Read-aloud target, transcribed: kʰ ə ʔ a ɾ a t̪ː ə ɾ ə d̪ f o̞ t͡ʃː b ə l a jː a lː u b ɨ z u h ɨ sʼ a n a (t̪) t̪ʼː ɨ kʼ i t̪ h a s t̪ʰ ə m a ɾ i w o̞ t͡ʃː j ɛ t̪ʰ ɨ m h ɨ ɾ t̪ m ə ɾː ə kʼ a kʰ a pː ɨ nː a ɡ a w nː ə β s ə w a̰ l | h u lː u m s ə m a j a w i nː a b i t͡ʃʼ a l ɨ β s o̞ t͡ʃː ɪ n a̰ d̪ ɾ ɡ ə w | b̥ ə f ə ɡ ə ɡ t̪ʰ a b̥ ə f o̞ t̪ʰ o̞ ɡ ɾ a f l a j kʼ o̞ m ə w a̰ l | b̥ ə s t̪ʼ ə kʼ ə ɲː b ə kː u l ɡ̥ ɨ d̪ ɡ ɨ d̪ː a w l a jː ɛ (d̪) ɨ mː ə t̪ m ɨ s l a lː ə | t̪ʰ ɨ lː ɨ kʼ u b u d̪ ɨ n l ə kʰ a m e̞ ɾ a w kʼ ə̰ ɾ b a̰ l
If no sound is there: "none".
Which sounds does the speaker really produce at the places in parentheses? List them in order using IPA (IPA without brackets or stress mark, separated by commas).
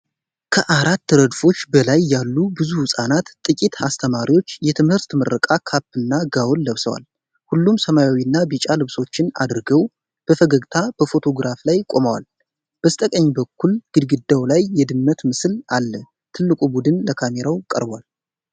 t̪, d̪